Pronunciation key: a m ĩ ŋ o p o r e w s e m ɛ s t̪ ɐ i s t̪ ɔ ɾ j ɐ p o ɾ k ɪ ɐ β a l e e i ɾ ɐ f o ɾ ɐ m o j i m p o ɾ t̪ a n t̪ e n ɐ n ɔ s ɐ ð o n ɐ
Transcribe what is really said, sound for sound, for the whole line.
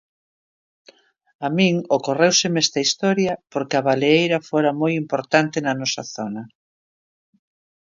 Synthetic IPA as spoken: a m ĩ ŋ o k o r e w s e m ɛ s t̪ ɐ i s t̪ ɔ ɾ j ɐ p o ɾ k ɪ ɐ β a l e e j ɾ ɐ f o ɾ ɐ m o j i m p o ɾ t̪ a n t̪ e n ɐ n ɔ s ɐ θ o n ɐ